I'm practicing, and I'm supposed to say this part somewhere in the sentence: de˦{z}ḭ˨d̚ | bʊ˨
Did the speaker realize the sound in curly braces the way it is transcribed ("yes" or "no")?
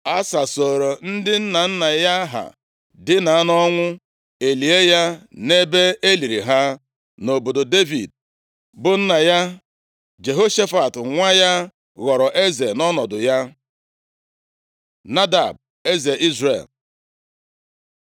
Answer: no